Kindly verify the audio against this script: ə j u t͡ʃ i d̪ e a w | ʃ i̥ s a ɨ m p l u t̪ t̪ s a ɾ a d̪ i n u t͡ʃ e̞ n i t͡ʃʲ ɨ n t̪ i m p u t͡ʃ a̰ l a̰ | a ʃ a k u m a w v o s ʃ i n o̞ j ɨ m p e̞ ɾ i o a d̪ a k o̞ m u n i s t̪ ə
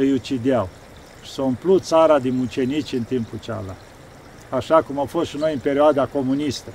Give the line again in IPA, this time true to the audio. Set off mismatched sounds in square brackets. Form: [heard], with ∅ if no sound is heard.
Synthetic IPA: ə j u t͡ʃ i d̪ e a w | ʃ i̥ s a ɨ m p l u t̪ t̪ s a ɾ a d̪ i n u t͡ʃ e̞ n i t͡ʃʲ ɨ n t̪ i m p u t͡ʃ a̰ l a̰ | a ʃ a k u m a w [f] o s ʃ i n o̞ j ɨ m p e̞ ɾ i o a d̪ a k o̞ m u n i s t̪ ə